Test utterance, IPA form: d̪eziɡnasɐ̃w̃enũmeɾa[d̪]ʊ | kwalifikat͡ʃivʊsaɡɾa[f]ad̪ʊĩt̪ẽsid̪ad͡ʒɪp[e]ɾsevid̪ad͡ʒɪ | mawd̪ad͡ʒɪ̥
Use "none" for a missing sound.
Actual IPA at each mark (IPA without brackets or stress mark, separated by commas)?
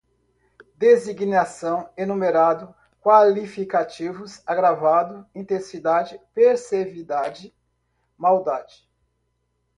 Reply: d̪, v, e